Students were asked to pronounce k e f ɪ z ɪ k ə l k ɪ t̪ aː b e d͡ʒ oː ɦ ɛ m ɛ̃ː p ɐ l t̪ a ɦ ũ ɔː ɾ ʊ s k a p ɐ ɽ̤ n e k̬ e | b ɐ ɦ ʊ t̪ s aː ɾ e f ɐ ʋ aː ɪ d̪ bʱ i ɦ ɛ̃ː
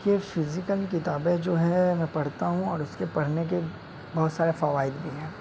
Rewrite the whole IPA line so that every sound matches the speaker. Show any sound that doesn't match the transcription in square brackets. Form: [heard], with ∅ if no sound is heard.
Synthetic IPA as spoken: k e f ɪ z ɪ k ə l k ɪ t̪ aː b e d͡ʒ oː ɦ ɛ m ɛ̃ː p ɐ [ɽ] t̪ a ɦ ũ ɔː ɾ ʊ s k [e] p ɐ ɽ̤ n e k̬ e | b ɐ ɦ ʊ t̪ s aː ɾ e f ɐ ʋ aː ɪ d̪ bʱ i ɦ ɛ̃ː